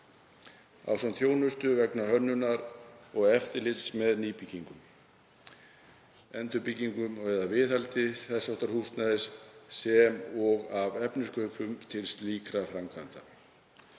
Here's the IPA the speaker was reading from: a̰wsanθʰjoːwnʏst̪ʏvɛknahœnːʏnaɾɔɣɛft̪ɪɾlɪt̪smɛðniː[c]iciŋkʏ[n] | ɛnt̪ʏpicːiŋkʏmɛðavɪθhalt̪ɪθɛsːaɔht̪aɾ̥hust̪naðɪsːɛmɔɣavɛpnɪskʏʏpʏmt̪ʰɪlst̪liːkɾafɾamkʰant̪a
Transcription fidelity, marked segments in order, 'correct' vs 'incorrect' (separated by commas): incorrect, incorrect